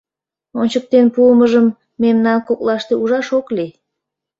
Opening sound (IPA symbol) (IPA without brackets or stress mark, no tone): o